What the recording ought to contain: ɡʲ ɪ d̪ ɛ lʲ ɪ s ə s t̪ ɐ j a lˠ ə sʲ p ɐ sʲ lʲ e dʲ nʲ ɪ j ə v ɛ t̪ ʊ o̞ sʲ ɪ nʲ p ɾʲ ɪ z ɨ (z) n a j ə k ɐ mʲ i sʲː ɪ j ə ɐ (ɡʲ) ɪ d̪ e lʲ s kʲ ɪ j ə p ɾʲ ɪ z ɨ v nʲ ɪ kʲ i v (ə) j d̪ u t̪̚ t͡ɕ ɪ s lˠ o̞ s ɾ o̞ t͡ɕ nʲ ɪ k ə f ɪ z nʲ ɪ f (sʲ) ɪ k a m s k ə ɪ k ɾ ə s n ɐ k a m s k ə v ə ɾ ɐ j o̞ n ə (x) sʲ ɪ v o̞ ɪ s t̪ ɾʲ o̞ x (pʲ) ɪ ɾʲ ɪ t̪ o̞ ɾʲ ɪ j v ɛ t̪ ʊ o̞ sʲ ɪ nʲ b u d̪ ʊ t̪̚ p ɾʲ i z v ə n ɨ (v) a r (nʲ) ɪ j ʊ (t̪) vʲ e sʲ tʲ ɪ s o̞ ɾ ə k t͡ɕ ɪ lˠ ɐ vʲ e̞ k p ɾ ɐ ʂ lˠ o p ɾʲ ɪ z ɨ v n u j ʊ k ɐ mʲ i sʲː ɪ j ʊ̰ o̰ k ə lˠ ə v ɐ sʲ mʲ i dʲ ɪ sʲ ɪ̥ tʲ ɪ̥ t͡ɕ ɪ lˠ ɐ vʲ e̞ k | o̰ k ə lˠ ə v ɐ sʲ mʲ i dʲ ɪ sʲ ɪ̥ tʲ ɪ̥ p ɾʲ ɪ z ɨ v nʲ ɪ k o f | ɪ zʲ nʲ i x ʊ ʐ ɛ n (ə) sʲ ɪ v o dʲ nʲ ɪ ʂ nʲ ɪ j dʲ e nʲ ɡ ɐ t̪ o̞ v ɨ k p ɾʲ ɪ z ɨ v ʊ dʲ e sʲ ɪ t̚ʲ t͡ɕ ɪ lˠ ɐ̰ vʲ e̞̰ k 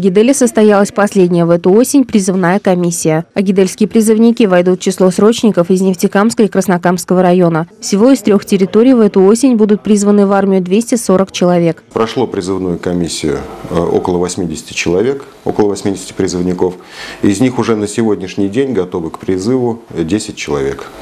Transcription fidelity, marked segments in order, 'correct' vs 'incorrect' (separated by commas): incorrect, correct, incorrect, incorrect, incorrect, incorrect, correct, incorrect, incorrect, correct